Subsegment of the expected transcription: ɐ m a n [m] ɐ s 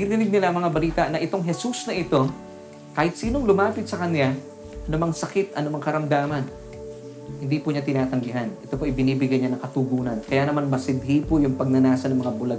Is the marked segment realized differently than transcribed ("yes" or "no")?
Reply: no